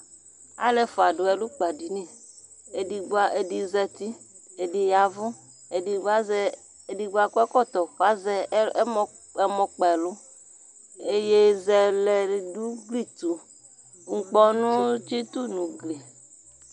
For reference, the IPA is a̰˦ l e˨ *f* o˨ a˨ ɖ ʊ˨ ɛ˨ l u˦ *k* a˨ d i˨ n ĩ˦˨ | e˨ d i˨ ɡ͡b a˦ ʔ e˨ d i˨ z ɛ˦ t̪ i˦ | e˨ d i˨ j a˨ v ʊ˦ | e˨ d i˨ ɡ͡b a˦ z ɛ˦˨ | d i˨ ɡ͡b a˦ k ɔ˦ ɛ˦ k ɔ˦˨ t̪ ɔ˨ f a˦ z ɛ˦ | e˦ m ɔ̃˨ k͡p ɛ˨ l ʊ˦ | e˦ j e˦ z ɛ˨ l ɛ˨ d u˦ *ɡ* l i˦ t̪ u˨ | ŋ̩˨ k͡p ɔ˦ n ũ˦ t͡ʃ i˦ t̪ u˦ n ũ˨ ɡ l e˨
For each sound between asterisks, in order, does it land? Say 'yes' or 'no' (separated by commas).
yes, no, yes